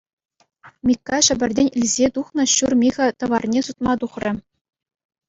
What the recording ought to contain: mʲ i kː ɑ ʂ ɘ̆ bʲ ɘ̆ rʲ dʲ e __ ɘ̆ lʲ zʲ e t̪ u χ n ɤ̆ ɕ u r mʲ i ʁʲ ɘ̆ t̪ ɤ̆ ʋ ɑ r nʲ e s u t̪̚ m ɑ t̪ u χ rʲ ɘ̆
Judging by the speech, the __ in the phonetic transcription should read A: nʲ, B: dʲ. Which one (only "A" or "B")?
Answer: A